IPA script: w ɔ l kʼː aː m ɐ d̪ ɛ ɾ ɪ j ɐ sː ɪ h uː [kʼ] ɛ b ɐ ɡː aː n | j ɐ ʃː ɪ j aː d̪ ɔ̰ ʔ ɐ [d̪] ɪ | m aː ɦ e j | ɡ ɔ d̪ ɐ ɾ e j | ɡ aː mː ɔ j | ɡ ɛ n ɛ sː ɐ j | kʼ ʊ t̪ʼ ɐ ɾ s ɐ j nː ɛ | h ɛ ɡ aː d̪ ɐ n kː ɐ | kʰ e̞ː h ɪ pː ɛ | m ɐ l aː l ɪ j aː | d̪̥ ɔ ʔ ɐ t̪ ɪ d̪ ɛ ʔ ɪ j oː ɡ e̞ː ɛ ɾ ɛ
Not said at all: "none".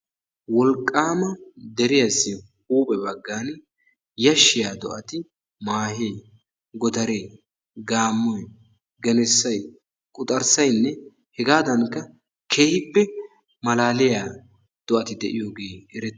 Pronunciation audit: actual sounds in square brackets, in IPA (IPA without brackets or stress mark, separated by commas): pʼ, t̪